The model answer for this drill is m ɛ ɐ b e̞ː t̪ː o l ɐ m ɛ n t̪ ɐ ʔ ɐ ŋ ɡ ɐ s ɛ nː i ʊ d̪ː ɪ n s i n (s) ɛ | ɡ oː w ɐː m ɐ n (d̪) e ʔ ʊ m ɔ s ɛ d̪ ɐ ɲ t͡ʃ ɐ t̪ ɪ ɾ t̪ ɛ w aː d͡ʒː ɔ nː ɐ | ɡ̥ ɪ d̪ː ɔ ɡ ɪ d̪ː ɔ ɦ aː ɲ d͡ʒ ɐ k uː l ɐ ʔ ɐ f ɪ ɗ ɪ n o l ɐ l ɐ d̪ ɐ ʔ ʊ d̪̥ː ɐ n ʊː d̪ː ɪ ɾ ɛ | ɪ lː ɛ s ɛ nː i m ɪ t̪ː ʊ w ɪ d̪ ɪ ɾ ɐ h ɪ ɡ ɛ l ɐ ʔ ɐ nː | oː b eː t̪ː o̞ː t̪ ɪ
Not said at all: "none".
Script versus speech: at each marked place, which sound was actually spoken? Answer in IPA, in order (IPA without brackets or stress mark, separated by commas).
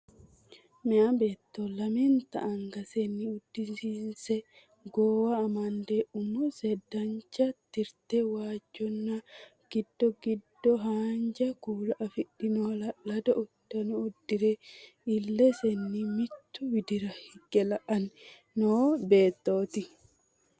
s, d̪